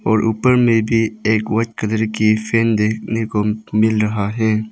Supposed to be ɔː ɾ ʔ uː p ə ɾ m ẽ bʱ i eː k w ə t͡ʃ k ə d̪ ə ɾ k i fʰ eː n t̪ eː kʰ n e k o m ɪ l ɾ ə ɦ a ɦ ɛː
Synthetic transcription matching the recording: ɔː ɾ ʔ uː p ə ɾ m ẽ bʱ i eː k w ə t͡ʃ k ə d̪ ə ɾ k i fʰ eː n d̪ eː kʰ n e k o m ɪ l ɾ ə ɦ a ɦ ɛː